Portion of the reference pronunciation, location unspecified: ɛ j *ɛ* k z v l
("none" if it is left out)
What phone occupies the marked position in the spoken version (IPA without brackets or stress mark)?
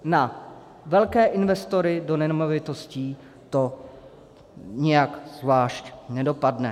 a